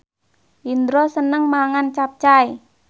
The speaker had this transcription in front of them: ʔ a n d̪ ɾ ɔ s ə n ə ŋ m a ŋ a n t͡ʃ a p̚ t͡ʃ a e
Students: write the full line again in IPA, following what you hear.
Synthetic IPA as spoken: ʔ i n d̪ ɾ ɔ s ə n ə ŋ m a ŋ a n t͡ʃ a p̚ t͡ʃ a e